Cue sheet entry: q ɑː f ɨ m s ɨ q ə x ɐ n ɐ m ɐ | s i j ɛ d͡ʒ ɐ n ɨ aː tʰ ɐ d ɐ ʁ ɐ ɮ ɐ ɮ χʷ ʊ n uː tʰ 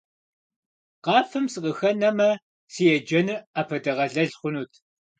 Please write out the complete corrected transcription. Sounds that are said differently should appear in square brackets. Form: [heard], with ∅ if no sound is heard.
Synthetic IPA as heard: q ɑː f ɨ m s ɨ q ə x ɐ n ɐ m ɐ | s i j ɛ d͡ʒ ɐ n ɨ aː [pʰ] ɐ d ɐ ʁ ɐ ɮ ɐ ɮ χʷ ʊ n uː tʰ